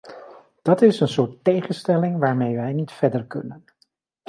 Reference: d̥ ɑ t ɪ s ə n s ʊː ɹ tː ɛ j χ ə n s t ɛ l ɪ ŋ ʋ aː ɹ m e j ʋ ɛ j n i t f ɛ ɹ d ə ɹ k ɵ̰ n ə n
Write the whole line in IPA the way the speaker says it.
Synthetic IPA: d̥ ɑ t ɪ s ə n s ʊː ɹ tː e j χ ə n s t ɛ l ɪ ŋ ʋ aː ɹ m e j ʋ ɛ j n i t f ɛ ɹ d ə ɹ k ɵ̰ n ə n